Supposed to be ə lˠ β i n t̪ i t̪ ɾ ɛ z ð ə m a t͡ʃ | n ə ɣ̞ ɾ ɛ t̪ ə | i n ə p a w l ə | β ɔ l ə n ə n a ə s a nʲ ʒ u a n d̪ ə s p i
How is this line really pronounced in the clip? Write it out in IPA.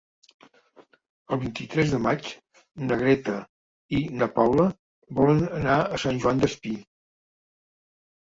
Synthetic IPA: ə lˠ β i n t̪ i t̪ ɾ ɛ z ð ə m a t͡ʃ | n ə ɣ̞ ɾ ɛ t̪ ə | i n ə p a w l ə | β ɔ l ə n ə n a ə s a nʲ ʒ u a n d̪ ə s p i